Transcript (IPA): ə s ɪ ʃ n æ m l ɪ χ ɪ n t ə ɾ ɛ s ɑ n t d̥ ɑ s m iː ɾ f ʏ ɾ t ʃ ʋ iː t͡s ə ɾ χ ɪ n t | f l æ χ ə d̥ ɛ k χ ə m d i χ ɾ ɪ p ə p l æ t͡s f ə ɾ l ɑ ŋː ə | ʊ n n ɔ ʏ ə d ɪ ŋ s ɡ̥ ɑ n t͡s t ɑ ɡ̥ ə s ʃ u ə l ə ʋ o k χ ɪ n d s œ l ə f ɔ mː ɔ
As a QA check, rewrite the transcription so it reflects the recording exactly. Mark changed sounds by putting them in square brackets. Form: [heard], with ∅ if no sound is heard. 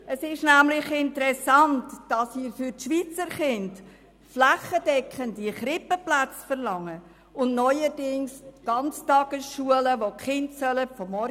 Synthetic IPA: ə s ɪ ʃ n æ m l ɪ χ ɪ n t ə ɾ ɛ s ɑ n t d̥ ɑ s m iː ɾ f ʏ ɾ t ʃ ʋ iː t͡s ə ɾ χ ɪ n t | f l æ χ ə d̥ ɛ k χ ə [n] d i χ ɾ ɪ p ə p l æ t͡s f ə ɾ l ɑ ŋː ə | ʊ n n ɔ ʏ ə d ɪ ŋ s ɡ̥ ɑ n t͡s t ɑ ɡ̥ ə s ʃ u ə l ə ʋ o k χ ɪ n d s œ l ə f ɔ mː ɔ

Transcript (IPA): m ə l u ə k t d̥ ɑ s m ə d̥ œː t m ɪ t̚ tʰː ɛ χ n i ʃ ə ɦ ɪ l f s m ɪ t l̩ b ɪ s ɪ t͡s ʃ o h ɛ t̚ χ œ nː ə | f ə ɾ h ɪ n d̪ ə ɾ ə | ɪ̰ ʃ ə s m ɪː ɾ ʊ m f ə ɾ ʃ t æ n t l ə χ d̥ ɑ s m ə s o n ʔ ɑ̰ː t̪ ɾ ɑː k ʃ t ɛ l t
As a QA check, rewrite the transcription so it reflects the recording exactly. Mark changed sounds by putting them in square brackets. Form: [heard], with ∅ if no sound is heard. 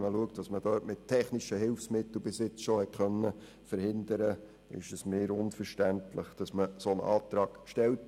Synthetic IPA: m ə l u ə k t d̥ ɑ s m ə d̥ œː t m ɪ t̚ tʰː ɛ χ n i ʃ ə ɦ ɪ l f s m ɪ t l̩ b ɪ s ɪ t͡s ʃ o h ɛ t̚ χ œ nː ə | f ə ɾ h ɪ n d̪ ə ɾ ə | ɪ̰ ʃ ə s m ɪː ɾ ʊ [n] f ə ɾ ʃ t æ n t l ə χ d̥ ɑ s m ə s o n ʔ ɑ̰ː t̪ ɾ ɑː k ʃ t ɛ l t

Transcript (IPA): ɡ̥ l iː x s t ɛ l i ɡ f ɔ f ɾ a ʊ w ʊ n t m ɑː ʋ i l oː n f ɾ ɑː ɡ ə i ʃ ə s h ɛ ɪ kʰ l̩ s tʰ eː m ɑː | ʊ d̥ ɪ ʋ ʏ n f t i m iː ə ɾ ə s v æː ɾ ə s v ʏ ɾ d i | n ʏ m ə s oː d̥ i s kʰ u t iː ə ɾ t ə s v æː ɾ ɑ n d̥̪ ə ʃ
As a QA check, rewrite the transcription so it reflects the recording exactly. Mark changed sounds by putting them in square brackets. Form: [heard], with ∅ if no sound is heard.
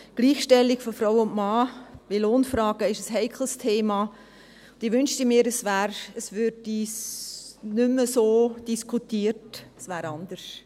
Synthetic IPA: ɡ̥ l iː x [ʃ] t ɛ l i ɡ f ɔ f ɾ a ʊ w ʊ n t m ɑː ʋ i l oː n f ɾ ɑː ɡ ə [ɪ] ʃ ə s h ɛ ɪ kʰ l̩ s tʰ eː m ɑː | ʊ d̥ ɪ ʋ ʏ n [ʃ] t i m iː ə ɾ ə s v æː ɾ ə s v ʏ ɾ d i | n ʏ m ə s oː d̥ i s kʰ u t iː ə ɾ t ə s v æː ɾ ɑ n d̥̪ ə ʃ

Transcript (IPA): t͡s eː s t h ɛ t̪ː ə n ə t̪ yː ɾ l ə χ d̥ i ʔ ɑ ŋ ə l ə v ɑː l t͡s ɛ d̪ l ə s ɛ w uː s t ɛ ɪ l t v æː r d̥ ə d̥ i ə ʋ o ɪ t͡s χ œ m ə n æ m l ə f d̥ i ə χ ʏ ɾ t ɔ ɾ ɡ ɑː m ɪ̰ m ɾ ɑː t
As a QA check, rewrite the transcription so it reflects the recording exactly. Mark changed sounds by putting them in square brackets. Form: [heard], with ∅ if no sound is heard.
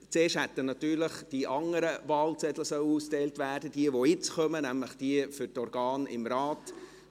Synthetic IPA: t͡s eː [ʃ] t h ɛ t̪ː ə n [ɑ] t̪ yː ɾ l ə χ d̥ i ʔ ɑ ŋ ə [ɾ] ə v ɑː l t͡s ɛ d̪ l ə s [œ] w uː s t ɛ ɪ l t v æː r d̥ ə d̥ i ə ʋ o ɪ t͡s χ œ m ə n æ m l ə [χ] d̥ i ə [f] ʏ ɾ t ɔ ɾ ɡ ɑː [n] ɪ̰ m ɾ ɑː t

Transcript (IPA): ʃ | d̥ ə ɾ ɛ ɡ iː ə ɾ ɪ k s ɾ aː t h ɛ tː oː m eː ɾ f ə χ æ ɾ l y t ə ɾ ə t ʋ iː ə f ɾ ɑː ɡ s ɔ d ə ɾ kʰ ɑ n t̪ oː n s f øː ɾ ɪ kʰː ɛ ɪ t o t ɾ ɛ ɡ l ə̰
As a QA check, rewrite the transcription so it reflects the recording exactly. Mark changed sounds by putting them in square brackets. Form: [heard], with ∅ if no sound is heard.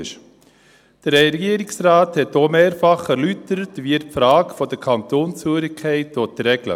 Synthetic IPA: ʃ | d̥ ə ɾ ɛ ɡ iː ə ɾ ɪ k s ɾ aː t h ɛ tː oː m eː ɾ f [ɑ] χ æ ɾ l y t ə ɾ ə t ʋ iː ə f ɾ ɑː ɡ [f] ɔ d ə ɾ kʰ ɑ n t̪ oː n s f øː ɾ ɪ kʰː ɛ ɪ t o t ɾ ɛ ɡ l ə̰

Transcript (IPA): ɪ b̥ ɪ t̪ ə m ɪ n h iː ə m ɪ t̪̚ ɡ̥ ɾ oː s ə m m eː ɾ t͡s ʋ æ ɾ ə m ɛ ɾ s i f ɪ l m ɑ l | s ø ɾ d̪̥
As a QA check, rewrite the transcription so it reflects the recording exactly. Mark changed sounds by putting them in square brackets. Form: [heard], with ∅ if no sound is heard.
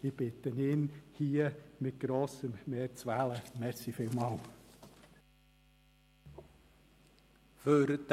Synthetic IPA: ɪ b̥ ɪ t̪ ə [n] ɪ n h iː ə m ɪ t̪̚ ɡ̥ ɾ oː s ə m m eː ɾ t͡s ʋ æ [l] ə m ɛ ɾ s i f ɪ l m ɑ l | [f] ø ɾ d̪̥

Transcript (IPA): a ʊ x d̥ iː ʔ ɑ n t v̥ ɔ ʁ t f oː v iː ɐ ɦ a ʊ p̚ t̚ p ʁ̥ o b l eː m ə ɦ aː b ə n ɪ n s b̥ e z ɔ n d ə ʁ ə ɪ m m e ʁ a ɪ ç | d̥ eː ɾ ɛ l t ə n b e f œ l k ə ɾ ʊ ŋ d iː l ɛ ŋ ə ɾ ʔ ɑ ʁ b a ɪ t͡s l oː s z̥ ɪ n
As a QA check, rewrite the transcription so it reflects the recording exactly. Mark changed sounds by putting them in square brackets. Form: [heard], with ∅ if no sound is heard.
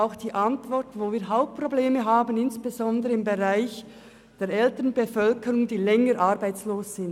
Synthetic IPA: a ʊ x d̥ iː ʔ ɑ n t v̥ ɔ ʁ t [v] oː v iː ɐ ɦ a ʊ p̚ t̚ p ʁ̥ o b l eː m ə ɦ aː b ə n ɪ n s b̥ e z ɔ n d ə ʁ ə ɪ m [b] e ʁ a ɪ ç | d̥ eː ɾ ɛ l t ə n b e f œ l k ə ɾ ʊ ŋ d iː l ɛ ŋ ə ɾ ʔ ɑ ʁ b a ɪ t͡s l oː s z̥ ɪ n

